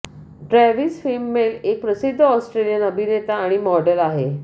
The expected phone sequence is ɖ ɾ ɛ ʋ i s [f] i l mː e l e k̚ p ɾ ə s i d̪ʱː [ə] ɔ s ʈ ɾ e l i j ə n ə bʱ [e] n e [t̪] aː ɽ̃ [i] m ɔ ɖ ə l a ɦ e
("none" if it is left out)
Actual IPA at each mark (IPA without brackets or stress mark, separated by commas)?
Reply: f, ə, i, t̪, i